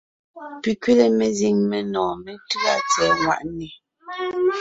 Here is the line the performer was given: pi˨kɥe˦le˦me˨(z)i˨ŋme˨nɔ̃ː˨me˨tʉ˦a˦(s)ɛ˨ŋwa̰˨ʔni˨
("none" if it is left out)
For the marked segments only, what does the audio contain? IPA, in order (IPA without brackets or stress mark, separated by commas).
z, t͡s